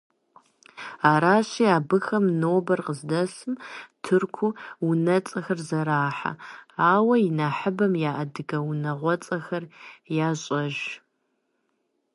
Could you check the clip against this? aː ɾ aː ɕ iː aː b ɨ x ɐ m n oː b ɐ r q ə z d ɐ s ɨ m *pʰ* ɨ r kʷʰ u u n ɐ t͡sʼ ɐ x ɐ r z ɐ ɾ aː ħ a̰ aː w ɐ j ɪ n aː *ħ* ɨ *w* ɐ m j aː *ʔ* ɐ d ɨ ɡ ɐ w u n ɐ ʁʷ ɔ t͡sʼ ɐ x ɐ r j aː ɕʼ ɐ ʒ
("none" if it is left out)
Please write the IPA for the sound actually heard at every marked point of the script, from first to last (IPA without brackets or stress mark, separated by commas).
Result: tʰ, ħ, b, ʔ